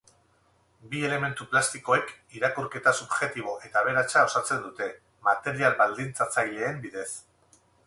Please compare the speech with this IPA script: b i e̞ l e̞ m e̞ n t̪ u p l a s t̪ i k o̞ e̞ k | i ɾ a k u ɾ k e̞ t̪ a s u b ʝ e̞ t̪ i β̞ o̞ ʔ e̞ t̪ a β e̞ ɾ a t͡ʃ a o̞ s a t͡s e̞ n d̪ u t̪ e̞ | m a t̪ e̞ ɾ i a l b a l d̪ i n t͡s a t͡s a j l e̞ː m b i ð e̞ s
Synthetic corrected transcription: b i e̞ l e̞ m e̞ n t̪ u p l a s t̪ i k o̞ e̞ k | i ɾ a k u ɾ k e̞ t̪ a s u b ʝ e̞ t̪ i β̞ o̞ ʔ e̞ t̪ a β e̞ ɾ a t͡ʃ a o̞ s a t͡s e̞ n d̪ u t̪ e̞ | m a t̪ e̞ ɾ i a l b a l d̪ i n t͡s a t͡s a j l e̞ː m b i ð e̞ s